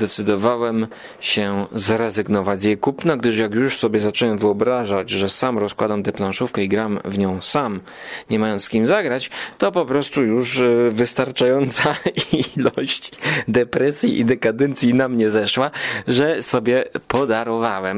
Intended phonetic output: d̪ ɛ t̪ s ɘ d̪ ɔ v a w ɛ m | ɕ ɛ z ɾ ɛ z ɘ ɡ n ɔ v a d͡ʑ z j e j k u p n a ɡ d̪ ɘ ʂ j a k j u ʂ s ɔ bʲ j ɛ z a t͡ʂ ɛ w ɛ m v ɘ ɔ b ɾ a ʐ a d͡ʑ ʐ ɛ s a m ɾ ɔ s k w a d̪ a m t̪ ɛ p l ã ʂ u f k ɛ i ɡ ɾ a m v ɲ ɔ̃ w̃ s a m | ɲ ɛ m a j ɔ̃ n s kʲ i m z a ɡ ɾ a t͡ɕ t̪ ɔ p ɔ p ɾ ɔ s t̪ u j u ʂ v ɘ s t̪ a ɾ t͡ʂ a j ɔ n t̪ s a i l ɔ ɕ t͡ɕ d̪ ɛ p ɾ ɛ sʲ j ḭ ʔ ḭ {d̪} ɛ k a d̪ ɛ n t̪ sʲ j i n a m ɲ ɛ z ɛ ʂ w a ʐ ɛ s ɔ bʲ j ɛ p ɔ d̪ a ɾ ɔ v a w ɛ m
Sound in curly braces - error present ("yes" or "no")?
no